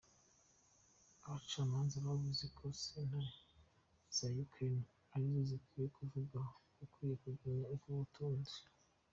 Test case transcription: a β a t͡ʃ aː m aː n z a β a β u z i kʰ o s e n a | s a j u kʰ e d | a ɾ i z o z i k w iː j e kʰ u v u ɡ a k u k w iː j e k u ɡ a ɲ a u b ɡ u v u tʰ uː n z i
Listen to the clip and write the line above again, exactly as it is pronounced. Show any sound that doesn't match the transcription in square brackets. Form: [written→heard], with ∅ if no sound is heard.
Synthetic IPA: a β a t͡ʃ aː m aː n z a β a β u z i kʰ o s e n a | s a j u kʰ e [d→n] | a ɾ i z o z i k w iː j e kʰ u v u ɡ a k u k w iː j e k u ɡ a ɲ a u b ɡ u [v→β] u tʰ uː n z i